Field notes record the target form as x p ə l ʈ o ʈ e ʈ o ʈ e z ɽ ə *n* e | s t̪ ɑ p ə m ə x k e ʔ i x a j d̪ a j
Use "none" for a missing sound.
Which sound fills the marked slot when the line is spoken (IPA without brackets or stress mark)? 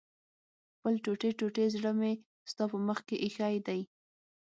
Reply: m